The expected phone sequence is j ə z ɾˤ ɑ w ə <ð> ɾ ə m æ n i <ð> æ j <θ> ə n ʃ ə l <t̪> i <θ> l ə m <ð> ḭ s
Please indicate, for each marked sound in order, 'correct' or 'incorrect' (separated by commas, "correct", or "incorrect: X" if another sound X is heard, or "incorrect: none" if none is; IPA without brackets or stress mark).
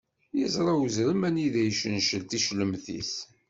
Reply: incorrect: z, correct, incorrect: ʃ, correct, incorrect: ʃ, incorrect: θ